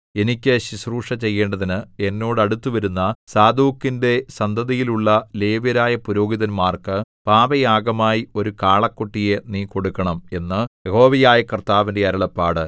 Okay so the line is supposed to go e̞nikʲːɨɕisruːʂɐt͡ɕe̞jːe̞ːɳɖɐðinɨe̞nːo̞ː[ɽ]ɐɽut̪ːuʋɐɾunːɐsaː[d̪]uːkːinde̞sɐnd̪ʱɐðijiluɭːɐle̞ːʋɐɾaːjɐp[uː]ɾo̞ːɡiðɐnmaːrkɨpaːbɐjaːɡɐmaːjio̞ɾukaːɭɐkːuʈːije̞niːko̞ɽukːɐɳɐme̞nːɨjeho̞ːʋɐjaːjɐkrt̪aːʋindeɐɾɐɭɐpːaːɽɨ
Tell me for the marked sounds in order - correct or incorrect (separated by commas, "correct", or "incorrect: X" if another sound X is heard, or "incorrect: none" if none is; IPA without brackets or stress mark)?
correct, correct, incorrect: u